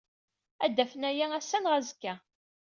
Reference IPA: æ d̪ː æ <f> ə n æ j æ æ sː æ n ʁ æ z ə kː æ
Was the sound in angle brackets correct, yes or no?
yes